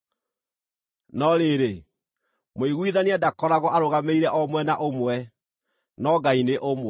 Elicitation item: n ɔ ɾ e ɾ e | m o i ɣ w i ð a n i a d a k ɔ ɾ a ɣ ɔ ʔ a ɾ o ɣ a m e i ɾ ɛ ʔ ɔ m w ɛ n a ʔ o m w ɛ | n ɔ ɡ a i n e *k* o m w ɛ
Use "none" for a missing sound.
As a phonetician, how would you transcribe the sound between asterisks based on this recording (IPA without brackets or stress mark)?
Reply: ʔ